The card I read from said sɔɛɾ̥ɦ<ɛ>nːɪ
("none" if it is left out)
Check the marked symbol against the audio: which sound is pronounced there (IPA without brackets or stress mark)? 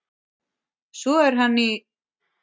a